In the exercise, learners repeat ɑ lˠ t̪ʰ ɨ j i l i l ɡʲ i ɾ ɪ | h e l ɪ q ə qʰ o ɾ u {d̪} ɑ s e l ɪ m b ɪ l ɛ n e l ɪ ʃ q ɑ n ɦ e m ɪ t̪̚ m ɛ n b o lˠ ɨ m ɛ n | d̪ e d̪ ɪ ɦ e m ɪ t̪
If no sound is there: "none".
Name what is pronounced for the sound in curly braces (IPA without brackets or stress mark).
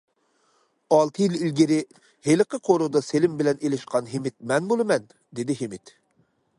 d̪